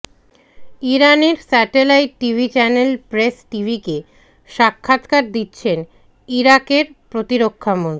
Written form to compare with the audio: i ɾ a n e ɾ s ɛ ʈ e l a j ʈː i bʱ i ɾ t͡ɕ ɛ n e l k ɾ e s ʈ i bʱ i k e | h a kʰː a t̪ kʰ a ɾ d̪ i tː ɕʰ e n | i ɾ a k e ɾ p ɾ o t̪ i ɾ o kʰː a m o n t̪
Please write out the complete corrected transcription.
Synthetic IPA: i ɾ a n e ɾ s ɛ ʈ e l a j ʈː i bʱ i t͡ɕ ɛ n e l p ɾ e s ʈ i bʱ i k e | ʃ a kʰː a t̪ k a ɾ d̪ i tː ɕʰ e n | i ɾ a k e ɾ p ɾ o t̪ i ɾ o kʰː a m o n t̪